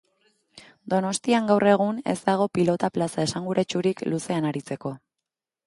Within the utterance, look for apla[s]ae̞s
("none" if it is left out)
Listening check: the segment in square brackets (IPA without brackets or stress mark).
s